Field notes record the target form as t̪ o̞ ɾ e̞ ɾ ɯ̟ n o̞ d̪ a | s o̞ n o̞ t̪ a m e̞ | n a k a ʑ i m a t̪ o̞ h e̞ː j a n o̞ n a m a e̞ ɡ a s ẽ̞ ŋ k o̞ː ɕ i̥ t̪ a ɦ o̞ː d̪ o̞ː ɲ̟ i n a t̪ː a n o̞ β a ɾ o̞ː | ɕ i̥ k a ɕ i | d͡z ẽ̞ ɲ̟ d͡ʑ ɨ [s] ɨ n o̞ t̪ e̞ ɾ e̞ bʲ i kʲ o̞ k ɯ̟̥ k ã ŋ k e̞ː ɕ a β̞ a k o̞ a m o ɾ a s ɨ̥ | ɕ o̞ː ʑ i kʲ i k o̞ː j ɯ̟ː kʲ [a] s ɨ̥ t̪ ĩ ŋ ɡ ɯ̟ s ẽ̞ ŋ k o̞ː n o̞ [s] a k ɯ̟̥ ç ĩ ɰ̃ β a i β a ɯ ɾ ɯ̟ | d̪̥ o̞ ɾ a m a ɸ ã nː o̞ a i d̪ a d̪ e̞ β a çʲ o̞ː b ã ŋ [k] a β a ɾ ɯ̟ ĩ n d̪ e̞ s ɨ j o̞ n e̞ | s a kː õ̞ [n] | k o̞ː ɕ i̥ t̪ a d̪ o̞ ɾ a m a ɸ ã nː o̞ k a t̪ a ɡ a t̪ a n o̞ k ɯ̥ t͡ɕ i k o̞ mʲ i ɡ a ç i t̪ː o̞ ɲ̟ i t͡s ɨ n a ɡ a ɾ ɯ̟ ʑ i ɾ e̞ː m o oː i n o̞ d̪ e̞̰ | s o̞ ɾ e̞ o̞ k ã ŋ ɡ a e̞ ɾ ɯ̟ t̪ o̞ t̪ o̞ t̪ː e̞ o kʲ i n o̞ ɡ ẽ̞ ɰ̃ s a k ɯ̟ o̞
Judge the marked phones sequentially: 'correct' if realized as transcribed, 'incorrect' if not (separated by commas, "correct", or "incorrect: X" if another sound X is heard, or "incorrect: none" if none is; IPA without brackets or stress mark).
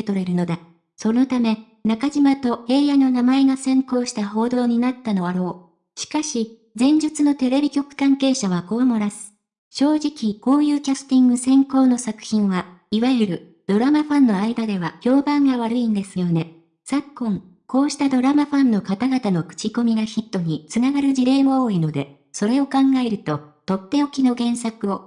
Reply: incorrect: t͡s, correct, correct, incorrect: ɡ, incorrect: ŋ